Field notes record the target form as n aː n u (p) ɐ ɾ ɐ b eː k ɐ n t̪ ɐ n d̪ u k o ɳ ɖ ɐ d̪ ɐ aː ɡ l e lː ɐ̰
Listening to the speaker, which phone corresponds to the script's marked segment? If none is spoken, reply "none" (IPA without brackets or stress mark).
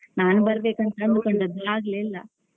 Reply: b